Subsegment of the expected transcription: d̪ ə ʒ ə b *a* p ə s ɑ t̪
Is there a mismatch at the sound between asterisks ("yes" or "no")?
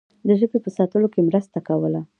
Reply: yes